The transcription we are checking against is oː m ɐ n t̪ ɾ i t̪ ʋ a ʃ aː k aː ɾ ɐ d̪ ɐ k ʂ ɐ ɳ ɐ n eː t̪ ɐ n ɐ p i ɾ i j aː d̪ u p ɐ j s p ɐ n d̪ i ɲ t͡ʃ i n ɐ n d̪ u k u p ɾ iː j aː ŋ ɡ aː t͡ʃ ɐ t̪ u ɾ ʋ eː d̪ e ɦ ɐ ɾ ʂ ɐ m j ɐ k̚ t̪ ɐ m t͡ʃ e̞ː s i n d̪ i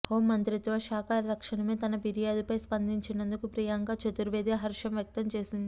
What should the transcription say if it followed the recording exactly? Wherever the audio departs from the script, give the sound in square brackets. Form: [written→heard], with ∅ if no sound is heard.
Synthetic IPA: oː m ɐ n t̪ ɾ i t̪ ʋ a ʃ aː k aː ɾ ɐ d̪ ɐ k ʂ ɐ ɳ ɐ [n→m] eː t̪ ɐ n ɐ p i ɾ i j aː d̪ u p ɐ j s p ɐ n d̪ i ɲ t͡ʃ i n ɐ n d̪ u k u p ɾ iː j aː ŋ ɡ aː t͡ʃ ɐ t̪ u ɾ ʋ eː d̪ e ɦ ɐ ɾ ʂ ɐ m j ɐ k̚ t̪ ɐ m t͡ʃ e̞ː s i n d̪ i